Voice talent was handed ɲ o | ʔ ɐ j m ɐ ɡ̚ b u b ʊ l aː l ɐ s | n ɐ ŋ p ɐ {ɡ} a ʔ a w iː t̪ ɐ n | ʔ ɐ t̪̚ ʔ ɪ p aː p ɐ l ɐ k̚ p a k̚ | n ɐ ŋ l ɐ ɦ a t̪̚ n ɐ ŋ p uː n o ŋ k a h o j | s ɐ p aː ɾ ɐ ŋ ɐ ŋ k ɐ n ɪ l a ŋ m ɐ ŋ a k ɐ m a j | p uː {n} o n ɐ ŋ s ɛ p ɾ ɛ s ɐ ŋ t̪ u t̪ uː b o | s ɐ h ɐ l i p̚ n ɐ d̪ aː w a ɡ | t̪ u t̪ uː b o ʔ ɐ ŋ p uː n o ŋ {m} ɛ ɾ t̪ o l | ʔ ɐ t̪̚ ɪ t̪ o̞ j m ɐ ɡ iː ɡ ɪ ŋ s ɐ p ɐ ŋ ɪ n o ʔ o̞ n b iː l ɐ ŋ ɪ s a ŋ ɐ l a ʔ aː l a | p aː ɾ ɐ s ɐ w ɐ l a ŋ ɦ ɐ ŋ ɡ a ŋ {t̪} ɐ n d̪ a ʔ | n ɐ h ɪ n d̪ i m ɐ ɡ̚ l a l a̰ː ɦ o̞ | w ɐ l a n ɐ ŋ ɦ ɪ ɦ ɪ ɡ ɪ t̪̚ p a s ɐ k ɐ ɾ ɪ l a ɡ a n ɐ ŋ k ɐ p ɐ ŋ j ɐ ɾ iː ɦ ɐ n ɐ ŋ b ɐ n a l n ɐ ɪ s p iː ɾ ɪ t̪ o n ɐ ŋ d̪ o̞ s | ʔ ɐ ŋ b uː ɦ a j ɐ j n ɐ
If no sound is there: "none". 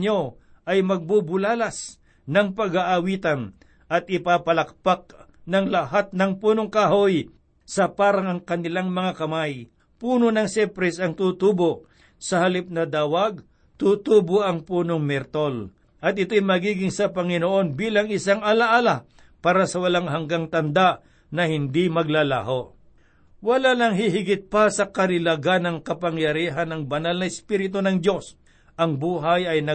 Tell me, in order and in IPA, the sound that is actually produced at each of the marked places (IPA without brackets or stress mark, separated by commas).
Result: ɡ, n, m, t̪